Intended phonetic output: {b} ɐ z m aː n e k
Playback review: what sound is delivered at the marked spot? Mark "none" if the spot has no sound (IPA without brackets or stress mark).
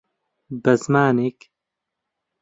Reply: b